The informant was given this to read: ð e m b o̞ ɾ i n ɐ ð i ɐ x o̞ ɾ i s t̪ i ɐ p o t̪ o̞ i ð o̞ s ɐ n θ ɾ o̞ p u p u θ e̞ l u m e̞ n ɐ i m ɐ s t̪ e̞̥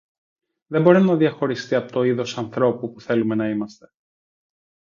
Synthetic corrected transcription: ð e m b o̞ ɾ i n ɐ ð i ɐ x o̞ ɾ i s t̪ i ɐ p o t̪ o̞ i ð o̞ s ɐ n θ ɾ o̞ p u p u θ e̞ l u m e̞ n ɐ i m ɐ s t̪ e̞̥

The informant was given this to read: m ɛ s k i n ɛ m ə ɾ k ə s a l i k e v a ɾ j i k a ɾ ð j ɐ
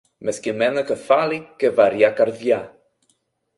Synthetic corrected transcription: m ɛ s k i m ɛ n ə k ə f a l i k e v a ɾ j a k a ɾ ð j a

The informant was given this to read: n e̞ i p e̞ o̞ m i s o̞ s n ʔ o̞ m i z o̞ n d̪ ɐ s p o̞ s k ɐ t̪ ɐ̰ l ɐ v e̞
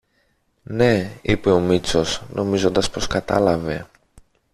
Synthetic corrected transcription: n e̞ i p e̞ o̞ m i t͡s o̞ s n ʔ o̞ m i z o̞ n d̪ ɐ s p o̞ s k ɐ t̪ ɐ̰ l ɐ v e̞

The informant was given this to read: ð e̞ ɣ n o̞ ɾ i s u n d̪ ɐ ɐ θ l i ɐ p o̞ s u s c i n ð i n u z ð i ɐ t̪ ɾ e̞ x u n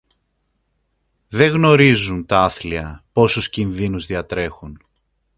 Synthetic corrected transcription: ð e̞ ɣ n o̞ ɾ i z u n t̪ ɐ ɐ θ l i ɐ p o̞ s u s c i n ð i n u z ð i ɐ t̪ ɾ e̞ x u n

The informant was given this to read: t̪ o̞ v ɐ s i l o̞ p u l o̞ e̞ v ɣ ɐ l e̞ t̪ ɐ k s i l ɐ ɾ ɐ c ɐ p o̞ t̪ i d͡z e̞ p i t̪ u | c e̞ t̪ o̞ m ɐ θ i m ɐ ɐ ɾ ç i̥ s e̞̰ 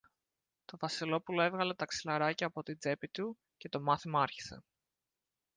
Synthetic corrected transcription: t̪ o̞ v ɐ s i l o̞ p u l o̞ e̞ v ɣ ɐ l e̞ t̪ ɐ k s i l ɐ ɾ ɐ c ɐː p o̞ t̪ i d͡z e̞ p i t̪ u | c e̞ t̪ o̞ m ɐ θ i m ɐ ɐ ɾ ç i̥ s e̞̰

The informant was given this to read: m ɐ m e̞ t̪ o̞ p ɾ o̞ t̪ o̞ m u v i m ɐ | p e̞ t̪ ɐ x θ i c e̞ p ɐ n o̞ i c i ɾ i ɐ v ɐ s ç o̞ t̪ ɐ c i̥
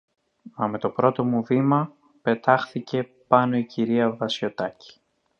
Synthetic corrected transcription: m ɐ m e̞ t̪ o̞ p ɾ o̞ t̪ o̞ m u v i m ɐ | p e̞ t̪ ɐ x θ i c e̞ p ɐ n o̞ i c i ɾ i ɐ v ɐ s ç o̞ t̪ ɐ c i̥

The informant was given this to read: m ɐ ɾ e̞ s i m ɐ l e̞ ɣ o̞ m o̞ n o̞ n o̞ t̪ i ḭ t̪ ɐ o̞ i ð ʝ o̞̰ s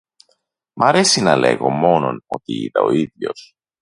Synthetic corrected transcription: m ɐ ɾ e̞ s i n ɐ l e̞ ɣ o̞ m o̞ n o̞ n o̞ t̪ i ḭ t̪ ɐ o̞ i ð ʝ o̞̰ s

